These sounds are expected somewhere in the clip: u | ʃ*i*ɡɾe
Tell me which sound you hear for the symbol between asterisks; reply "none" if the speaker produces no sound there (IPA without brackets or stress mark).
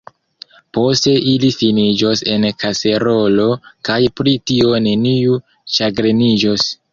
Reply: a